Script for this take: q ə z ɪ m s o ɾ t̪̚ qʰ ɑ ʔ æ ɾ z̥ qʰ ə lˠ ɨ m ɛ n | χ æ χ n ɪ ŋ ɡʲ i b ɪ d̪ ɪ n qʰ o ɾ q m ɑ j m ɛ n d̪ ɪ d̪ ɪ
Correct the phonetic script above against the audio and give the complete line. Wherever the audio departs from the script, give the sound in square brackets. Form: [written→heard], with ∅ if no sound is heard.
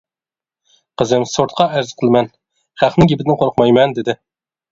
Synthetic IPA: q ə z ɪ m s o ɾ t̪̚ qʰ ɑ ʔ æ ɾ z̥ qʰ ə lˠ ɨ m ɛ n | χ æ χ n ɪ ŋ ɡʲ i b ɪ d̪ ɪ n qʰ o ɾ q m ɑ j m ɛ n d̪ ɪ d̪ ɪ